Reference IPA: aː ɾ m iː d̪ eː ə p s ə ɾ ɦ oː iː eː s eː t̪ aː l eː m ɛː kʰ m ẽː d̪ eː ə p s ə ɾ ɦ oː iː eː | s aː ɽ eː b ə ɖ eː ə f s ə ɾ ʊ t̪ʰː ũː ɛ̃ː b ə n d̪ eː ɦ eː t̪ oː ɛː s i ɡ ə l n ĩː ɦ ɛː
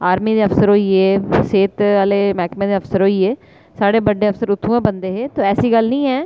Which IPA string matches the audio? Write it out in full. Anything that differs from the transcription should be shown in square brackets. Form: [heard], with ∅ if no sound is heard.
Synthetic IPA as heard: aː ɾ m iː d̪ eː ə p s ə ɾ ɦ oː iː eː s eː t̪ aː l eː m ɛː [k] m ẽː d̪ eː ə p s ə ɾ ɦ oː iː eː | s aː ɽ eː b ə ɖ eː ə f s ə ɾ ʊ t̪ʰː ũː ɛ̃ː b ə n d̪ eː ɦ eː t̪ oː ɛː s [iː] ɡ ə l n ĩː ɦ ɛː